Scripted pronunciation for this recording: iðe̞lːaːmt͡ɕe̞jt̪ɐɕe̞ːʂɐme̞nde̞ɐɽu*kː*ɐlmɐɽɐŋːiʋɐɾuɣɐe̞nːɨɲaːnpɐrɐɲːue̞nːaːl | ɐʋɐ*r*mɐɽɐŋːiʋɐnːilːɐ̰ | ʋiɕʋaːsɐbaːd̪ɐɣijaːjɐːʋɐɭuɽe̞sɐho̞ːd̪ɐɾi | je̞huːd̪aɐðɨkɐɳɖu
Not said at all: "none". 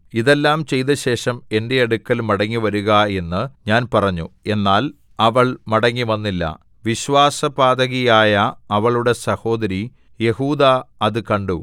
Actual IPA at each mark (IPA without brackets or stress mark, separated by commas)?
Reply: kː, ɭ